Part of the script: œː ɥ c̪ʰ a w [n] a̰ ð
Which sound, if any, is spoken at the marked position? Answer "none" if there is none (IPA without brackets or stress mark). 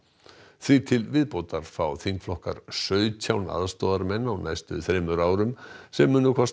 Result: n